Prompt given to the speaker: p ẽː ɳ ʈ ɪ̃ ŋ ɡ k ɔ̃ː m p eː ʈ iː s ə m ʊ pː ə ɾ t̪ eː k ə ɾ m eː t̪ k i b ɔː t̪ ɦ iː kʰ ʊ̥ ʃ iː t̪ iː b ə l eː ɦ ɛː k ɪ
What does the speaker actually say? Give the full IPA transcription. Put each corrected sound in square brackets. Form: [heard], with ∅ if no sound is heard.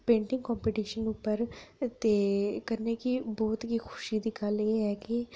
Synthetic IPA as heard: p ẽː ɳ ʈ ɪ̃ ŋ ɡ k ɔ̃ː m p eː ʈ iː [ʃ] ə [n] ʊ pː ə ɾ t̪ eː k ə ɾ [n] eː [∅] k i b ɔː t̪ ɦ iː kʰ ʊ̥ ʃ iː [d̪] iː [ɡ] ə l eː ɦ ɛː k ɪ